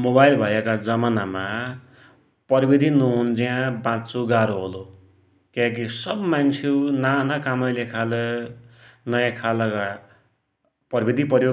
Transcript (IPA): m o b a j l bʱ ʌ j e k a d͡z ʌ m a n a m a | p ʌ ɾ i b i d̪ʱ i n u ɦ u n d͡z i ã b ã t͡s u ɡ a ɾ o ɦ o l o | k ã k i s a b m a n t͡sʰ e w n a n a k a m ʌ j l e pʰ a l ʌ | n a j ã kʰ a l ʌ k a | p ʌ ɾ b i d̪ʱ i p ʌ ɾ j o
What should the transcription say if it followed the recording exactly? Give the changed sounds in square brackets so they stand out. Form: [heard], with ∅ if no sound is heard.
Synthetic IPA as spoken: m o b a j l bʱ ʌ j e k a d͡z ʌ m a n a m a | p ʌ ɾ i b i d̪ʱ i n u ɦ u n d͡z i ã b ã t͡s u ɡ a ɾ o ɦ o l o | k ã k i s [ʌ] b m a n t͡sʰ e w n a n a k a m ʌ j l e [kʰ] a l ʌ | n [ʌ] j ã kʰ a l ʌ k a | p ʌ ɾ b i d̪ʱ i p ʌ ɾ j o